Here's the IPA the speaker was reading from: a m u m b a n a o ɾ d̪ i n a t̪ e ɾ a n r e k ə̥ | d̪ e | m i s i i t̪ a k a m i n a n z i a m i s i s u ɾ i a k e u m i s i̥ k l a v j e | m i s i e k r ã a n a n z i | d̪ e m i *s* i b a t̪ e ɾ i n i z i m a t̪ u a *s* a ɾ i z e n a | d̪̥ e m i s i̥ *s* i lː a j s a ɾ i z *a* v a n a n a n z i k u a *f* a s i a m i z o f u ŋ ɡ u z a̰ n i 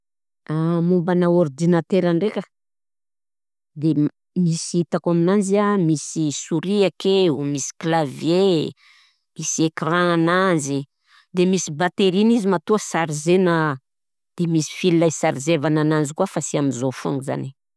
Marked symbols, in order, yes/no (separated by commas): yes, yes, no, no, yes